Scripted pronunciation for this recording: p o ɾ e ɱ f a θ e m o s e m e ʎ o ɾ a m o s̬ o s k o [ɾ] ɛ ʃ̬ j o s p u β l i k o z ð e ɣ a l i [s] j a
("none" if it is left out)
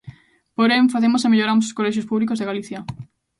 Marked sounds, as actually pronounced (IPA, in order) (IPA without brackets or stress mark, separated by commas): l, θ